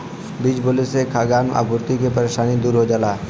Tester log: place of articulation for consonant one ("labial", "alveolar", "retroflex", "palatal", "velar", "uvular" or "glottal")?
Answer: labial